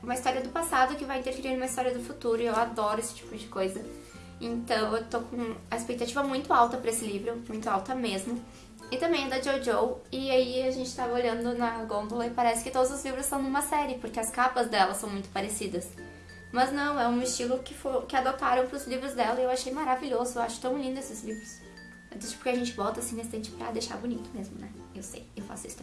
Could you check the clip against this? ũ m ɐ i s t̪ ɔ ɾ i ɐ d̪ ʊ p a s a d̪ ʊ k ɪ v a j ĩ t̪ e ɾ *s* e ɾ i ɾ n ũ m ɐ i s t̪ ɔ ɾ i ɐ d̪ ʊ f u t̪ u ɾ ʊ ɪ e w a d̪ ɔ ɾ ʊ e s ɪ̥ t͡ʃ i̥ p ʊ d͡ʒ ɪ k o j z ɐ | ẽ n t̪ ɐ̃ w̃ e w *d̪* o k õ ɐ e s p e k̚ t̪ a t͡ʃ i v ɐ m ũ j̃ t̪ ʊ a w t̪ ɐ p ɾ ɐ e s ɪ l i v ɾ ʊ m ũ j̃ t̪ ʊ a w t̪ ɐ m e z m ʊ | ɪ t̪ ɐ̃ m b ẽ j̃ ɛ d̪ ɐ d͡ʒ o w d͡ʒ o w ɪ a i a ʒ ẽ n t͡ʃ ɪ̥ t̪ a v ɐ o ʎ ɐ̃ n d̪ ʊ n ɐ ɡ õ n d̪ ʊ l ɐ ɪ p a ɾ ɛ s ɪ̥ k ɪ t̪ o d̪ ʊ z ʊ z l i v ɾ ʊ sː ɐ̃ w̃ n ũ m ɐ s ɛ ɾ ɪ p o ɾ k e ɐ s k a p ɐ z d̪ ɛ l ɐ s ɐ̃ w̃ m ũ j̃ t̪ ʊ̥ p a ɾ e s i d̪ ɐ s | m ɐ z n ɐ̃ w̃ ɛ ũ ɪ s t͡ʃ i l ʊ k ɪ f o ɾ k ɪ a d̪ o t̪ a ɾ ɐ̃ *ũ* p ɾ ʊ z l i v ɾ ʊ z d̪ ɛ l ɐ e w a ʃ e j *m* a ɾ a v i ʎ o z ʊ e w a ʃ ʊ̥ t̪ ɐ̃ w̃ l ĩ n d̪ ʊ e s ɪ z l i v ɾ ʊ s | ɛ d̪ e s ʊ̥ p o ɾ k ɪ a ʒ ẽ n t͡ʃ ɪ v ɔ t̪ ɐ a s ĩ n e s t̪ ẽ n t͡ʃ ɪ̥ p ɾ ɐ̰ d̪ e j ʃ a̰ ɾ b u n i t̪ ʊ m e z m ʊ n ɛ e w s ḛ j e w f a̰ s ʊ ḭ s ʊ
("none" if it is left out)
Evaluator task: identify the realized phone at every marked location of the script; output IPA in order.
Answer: f, t̪, w̃, m

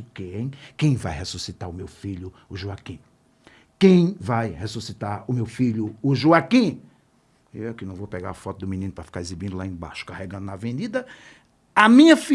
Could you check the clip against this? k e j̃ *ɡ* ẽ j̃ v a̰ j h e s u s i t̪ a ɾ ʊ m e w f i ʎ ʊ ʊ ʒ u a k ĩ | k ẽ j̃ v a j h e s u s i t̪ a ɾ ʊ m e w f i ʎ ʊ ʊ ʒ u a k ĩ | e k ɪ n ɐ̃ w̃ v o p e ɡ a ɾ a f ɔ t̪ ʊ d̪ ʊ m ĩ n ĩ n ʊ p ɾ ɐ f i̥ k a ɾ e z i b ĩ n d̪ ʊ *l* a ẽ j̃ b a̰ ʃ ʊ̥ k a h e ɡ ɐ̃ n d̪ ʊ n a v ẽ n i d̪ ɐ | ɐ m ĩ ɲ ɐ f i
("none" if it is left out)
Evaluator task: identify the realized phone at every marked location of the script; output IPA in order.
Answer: k, l

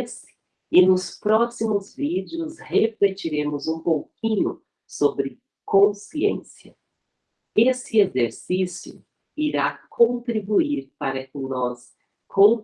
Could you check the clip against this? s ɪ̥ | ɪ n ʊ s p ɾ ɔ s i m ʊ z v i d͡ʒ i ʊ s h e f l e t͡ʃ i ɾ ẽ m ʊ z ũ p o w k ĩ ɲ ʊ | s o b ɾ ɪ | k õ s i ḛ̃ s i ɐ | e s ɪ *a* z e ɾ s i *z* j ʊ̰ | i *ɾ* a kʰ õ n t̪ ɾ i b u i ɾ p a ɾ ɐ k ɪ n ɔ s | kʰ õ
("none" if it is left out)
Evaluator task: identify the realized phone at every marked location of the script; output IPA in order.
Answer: e, s, ɾ

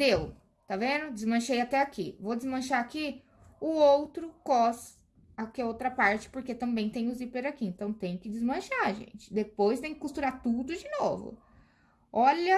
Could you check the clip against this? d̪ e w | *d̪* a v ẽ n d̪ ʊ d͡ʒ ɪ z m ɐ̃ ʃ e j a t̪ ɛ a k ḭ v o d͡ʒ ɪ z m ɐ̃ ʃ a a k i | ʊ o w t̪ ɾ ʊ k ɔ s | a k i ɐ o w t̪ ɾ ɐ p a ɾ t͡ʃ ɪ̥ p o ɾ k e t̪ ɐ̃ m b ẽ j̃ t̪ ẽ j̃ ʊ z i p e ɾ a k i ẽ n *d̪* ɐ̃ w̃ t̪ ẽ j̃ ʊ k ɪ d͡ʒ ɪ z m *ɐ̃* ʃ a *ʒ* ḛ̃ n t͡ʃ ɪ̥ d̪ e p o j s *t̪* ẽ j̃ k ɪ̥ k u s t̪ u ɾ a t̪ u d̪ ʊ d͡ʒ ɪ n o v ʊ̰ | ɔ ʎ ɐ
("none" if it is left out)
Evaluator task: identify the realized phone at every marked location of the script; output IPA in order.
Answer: t̪, t̪, ɐ̃, ʒ, t̪

